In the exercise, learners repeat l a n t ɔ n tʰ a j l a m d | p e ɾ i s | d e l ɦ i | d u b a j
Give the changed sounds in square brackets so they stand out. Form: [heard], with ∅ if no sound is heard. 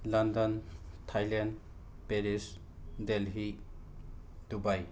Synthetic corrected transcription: l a n [d] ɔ n tʰ a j l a [n] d | p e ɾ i s | d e l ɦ i | d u b a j